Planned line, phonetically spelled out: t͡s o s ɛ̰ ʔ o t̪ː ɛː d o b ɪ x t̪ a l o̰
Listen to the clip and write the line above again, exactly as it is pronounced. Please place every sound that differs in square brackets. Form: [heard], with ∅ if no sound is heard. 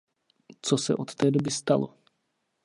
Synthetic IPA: t͡s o s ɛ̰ ʔ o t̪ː ɛː d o b ɪ [s] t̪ a l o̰